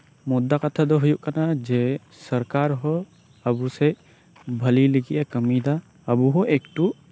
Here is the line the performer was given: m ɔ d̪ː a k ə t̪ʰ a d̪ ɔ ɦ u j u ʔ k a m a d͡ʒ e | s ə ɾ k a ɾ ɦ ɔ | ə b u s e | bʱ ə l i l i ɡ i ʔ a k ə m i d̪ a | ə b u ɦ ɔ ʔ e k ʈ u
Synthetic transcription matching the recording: m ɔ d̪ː a k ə t̪ʰ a d̪ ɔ ɦ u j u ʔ k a n a d͡ʒ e | s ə ɾ k a ɾ ɦ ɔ | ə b u s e | bʱ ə l i l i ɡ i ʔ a k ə m i d̪ a | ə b u ɦ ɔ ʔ e k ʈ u